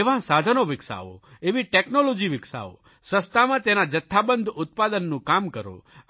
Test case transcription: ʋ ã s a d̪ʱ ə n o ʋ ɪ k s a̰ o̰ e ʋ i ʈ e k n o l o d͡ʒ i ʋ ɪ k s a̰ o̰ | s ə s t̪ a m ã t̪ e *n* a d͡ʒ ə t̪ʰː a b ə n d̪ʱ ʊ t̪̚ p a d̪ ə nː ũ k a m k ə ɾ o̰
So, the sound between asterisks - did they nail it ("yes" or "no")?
yes